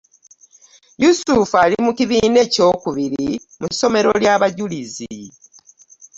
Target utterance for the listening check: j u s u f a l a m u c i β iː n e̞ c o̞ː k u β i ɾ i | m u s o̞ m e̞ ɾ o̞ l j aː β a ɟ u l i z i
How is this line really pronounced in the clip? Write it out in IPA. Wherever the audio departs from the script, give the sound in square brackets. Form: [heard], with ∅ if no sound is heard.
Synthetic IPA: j u s u f a l [i] m u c i β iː n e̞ c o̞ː k u β i ɾ i | m u s o̞ m e̞ ɾ o̞ l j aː β a ɟ u l i z i